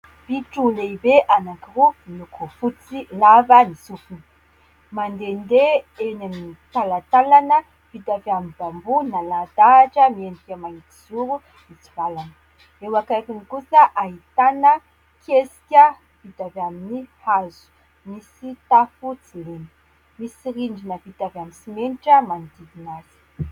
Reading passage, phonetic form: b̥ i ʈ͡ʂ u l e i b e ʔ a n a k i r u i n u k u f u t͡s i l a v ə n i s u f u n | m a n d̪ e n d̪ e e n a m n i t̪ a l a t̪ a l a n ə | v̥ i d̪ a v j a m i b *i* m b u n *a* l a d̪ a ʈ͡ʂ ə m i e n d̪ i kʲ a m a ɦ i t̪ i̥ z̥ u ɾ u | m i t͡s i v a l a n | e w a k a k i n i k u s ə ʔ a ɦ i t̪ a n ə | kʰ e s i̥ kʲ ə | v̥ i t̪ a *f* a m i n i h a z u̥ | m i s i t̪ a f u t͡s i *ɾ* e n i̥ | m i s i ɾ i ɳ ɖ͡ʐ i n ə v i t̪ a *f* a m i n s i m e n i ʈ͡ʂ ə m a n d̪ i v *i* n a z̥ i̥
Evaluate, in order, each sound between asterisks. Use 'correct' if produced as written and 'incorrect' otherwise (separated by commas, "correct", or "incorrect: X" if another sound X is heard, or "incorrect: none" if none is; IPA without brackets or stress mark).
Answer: incorrect: a, correct, incorrect: v, incorrect: l, incorrect: v, correct